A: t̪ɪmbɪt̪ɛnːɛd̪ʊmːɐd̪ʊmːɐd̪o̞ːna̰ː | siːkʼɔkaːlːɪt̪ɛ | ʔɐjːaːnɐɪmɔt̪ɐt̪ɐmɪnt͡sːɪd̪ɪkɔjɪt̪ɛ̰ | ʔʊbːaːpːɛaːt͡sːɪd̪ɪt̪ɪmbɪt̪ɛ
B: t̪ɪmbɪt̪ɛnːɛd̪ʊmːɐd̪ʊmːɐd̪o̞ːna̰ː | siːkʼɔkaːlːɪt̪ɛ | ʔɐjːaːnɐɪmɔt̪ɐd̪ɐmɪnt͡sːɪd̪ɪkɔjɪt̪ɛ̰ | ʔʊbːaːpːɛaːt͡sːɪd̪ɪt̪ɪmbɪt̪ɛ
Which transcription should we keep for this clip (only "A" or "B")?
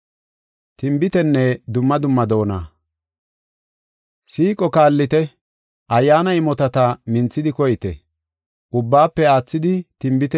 A